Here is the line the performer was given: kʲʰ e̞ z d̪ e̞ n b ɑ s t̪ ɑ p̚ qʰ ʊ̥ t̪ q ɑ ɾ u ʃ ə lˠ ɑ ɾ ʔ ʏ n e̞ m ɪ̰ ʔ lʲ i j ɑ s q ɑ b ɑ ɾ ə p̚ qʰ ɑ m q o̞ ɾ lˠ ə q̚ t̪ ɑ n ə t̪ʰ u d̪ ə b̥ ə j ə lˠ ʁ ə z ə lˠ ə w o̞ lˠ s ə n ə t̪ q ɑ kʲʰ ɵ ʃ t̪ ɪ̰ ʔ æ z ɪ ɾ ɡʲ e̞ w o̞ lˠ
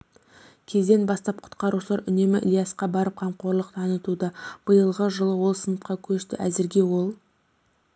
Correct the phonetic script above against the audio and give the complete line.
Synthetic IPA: kʲʰ e̞ z d̪ e̞ n b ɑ s t̪ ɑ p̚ qʰ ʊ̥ t̪ q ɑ ɾ u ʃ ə lˠ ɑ ɾ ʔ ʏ n e̞ m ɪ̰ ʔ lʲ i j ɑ s q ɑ b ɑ ɾ ə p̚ qʰ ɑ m q o̞ ɾ lˠ ə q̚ t̪ʰ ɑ n ə t̪ u d̪ ə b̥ ə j ə lˠ ʁ ə ʒ ə lˠ ə w o̞ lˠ s ə n ə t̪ q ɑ kʲʰ ɵ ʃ t̪ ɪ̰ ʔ æ z ɪ ɾ ɡʲ e̞ w o̞ lˠ